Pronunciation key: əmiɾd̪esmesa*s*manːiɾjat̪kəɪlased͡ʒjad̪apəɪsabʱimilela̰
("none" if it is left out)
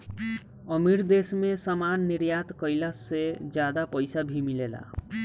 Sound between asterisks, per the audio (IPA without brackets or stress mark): none